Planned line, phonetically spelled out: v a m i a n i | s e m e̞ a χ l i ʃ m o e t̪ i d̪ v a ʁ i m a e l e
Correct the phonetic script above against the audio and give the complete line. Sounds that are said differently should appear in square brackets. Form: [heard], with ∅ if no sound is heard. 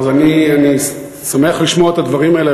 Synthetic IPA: [z] a [n] i a n i | s [a] m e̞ a χ l i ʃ m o e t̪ [a] d̪ v a ʁ i m a e l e